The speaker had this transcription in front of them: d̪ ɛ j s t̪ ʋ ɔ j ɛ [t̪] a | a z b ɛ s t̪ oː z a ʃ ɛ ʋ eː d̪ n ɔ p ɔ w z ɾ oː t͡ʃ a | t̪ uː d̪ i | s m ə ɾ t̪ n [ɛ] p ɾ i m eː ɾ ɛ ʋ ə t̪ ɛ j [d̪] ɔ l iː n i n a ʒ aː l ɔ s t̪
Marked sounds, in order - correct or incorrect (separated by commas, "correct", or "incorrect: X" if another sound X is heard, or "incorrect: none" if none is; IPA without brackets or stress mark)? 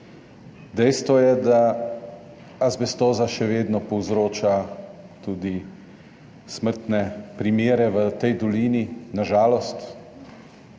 incorrect: d̪, correct, correct